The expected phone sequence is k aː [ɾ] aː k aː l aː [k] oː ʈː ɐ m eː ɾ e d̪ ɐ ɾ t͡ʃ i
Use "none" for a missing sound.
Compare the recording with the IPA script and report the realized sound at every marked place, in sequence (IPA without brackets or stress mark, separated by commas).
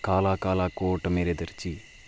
l, k